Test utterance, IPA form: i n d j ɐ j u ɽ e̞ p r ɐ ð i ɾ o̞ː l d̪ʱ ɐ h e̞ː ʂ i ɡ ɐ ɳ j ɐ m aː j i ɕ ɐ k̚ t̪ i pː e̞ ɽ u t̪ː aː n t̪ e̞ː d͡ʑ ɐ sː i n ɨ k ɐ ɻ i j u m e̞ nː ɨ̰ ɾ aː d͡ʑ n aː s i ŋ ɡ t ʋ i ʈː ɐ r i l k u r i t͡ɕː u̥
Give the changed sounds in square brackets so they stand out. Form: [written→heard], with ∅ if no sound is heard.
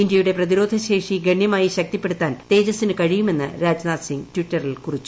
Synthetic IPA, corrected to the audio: i n d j ɐ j u ɽ e̞ p r ɐ ð i ɾ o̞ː [l→∅] d̪ʱ ɐ [h→ɕ] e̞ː ʂ i ɡ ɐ ɳ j ɐ m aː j i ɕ ɐ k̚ t̪ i pː e̞ ɽ u t̪ː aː n t̪ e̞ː d͡ʑ ɐ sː i n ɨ k ɐ ɻ i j u m e̞ nː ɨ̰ ɾ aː d͡ʑ n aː s i ŋ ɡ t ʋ i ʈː ɐ r i l k u r i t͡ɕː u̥